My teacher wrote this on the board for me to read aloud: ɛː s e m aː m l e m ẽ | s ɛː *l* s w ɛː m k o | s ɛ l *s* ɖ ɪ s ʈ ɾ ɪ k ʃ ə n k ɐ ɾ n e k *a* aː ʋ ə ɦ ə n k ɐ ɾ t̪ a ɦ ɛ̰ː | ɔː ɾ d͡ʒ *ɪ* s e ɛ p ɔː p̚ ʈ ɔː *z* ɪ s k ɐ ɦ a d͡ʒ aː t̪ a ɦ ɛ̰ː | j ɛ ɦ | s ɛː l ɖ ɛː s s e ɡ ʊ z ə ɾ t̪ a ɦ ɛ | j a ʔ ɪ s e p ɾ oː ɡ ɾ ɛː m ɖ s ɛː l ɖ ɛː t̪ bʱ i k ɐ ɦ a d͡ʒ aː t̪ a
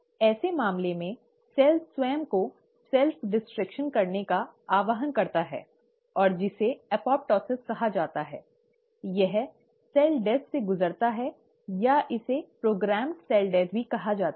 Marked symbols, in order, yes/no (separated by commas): yes, no, yes, yes, no